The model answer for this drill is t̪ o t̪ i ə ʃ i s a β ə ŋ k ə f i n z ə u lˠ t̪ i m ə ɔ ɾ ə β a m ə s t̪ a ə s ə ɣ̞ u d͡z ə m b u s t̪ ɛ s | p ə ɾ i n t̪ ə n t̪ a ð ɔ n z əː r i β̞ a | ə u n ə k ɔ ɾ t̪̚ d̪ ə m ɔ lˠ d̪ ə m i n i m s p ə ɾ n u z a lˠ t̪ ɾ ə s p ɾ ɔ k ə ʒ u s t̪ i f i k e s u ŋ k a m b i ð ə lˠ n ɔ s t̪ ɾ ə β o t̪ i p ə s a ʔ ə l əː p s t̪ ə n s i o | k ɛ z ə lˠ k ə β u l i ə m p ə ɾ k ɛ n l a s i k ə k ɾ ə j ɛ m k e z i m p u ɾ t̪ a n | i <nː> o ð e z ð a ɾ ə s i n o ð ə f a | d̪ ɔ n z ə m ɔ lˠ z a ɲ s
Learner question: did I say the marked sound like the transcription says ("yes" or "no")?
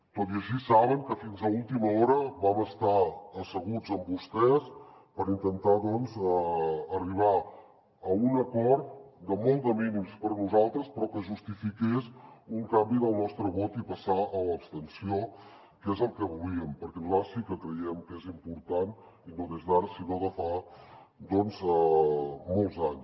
no